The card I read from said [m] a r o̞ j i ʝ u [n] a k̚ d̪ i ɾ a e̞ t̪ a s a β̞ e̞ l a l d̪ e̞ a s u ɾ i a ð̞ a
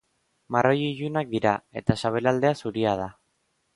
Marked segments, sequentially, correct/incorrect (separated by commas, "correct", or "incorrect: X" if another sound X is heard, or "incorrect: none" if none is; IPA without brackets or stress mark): correct, correct